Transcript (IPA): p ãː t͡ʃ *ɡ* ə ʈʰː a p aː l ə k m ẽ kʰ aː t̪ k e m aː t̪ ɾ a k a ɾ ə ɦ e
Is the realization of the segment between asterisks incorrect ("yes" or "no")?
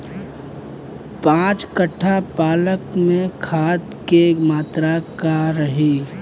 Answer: yes